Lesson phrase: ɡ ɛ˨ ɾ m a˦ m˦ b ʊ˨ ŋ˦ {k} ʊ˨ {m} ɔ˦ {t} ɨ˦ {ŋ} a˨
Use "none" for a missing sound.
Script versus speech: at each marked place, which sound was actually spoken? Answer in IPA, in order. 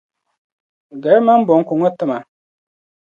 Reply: k, ŋ, t, m

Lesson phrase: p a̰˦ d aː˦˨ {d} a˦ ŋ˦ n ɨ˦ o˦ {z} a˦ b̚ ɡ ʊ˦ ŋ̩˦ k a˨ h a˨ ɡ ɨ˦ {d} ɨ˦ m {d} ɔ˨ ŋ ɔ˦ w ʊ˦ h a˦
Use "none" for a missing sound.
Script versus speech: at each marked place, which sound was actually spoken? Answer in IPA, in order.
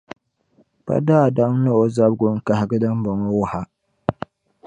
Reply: d, z, d, b

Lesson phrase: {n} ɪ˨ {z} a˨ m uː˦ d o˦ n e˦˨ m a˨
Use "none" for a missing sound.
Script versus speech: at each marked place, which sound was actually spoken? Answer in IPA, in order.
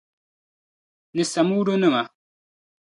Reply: n, s

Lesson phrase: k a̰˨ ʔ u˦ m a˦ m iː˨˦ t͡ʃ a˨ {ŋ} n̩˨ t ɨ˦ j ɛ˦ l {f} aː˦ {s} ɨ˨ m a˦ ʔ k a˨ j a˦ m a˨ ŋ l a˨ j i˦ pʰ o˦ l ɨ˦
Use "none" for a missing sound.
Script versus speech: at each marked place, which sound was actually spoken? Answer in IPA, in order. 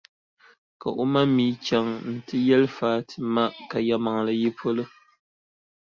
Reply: ŋ, f, t

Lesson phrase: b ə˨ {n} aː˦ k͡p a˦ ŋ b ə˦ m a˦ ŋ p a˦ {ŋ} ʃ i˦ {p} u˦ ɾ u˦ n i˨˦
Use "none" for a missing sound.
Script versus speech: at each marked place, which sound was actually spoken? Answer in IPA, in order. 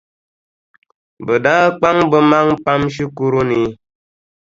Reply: d, m, k

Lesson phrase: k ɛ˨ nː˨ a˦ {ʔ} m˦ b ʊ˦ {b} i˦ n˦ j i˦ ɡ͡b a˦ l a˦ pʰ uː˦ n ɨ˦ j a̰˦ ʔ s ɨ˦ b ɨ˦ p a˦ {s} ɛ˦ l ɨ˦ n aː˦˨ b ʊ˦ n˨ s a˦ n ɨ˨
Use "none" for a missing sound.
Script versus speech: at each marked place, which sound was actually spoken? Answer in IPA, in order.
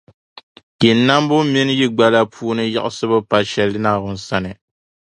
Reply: none, m, ʃ

